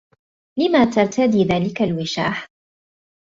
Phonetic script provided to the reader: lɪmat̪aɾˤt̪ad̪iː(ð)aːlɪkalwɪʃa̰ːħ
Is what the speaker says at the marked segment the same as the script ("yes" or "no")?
yes